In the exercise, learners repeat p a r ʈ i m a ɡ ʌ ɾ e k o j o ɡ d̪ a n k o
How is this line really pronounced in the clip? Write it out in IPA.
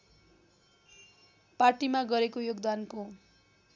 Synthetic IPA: p a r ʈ i m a ɡ ʌ ɾ e k o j o ɡ d̪ a n k o